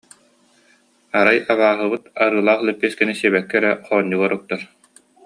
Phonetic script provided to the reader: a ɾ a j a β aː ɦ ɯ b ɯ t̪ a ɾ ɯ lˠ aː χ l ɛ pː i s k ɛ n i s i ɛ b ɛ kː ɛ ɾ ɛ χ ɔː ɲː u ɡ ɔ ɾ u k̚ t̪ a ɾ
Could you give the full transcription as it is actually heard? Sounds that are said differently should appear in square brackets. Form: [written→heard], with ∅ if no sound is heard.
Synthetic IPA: a ɾ a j a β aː ɦ ɯ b ɯ t̪ a ɾ [ɯ→ɯː] lˠ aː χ l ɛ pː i s k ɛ n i s i ɛ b ɛ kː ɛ ɾ ɛ χ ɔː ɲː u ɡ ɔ ɾ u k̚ t̪ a ɾ